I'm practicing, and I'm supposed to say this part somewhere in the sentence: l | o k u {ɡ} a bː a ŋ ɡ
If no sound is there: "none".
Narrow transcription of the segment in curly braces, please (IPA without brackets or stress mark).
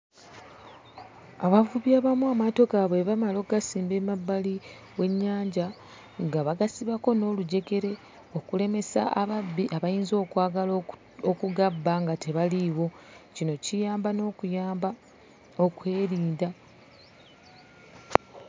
ɡ